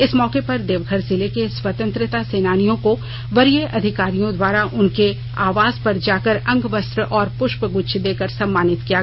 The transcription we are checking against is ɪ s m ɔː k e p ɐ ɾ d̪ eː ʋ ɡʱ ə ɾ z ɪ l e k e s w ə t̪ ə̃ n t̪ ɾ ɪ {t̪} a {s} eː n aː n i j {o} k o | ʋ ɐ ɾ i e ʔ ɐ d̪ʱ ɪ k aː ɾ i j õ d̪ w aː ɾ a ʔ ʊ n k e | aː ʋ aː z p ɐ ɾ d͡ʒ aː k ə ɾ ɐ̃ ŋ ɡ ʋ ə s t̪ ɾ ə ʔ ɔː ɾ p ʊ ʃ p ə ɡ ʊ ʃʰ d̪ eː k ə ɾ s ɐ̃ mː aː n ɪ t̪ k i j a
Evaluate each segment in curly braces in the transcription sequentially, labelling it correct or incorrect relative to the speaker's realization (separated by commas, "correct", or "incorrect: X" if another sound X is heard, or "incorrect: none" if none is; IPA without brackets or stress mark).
correct, correct, incorrect: õ